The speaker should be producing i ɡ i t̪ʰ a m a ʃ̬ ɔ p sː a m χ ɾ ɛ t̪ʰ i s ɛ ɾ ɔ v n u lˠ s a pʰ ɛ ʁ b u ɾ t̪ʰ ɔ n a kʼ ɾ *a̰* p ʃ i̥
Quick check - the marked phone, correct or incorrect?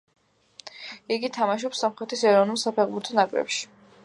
incorrect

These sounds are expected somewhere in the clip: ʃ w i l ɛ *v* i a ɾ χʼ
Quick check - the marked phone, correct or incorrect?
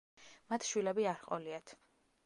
incorrect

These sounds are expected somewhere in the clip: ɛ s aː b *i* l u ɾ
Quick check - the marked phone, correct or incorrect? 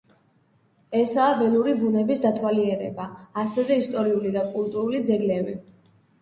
incorrect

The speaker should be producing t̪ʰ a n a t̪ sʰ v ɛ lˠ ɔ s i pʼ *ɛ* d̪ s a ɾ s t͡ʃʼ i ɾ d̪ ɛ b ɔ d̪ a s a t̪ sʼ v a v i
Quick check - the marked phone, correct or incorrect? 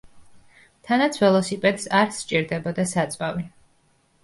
correct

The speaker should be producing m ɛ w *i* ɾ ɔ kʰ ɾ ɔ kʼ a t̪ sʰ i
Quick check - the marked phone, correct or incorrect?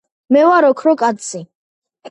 incorrect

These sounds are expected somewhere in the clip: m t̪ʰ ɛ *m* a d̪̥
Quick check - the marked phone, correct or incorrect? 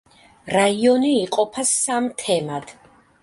correct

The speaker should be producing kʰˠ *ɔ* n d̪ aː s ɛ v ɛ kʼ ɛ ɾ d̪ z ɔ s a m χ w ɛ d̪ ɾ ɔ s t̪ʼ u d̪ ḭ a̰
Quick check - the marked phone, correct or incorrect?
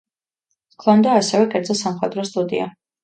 correct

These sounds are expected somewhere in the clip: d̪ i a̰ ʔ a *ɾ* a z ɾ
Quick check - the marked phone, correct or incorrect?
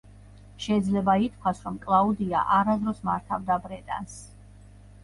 correct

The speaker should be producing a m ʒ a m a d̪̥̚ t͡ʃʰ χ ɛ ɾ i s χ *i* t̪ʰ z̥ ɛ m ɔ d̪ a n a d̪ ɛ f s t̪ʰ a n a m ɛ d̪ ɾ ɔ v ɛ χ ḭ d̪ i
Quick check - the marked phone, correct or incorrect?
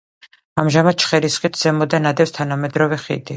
correct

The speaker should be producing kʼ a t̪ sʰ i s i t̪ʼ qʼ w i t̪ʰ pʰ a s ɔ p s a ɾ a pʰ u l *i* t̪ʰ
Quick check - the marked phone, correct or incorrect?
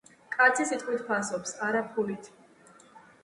correct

